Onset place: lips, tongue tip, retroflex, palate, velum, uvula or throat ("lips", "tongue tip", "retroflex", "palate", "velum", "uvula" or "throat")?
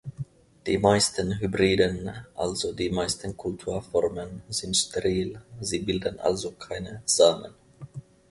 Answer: tongue tip